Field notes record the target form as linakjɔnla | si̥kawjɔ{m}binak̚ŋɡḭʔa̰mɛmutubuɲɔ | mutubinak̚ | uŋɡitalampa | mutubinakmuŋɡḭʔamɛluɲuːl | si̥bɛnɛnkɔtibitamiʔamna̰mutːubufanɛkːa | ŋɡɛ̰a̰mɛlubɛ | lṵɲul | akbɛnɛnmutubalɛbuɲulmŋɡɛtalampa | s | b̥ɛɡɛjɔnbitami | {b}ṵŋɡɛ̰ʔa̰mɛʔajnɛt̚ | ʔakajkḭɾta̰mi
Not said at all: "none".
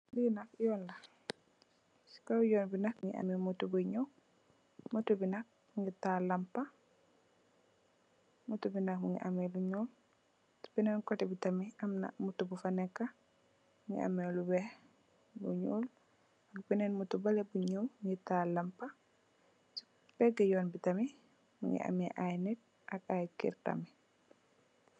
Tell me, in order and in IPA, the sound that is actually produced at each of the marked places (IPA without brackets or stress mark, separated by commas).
n, m